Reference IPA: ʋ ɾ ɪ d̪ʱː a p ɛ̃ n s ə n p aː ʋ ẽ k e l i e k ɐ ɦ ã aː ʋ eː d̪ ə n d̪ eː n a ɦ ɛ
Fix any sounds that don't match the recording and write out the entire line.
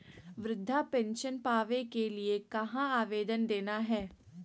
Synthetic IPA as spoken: ʋ ɾ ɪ d̪ʱː a p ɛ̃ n ʃ ə n p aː ʋ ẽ k e l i e k ɐ ɦ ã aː ʋ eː d̪ ə n d̪ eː n a ɦ ɛː